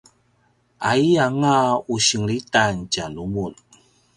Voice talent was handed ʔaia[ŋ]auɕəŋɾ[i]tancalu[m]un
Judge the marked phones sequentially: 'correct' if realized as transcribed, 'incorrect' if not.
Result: correct, correct, correct

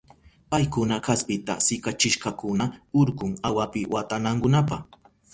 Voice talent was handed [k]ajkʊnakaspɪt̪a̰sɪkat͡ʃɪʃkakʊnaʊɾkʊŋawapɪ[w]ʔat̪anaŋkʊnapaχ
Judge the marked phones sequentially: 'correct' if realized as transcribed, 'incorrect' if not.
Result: incorrect, correct

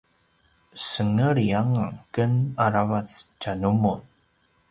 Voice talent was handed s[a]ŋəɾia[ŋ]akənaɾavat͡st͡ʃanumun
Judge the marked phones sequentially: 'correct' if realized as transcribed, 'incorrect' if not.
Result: incorrect, correct

